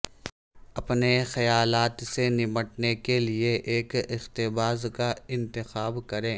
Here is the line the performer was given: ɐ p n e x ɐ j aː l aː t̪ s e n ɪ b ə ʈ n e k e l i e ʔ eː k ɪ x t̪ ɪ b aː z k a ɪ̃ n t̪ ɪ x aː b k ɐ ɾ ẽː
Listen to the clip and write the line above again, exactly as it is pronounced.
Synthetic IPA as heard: ɐ p n e x ɐ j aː l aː t̪ s e n ɪ m ə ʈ n e k e l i e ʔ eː k ɪ x t̪ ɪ b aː z k a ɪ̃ n t̪ ɪ x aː b k ɐ ɾ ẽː